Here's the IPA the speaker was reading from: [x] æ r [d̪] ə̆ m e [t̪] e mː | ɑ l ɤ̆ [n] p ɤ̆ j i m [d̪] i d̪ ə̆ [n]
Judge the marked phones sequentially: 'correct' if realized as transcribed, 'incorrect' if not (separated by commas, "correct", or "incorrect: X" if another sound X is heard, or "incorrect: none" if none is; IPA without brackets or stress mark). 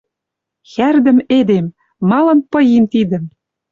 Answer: correct, correct, incorrect: d̪, correct, incorrect: t̪, incorrect: m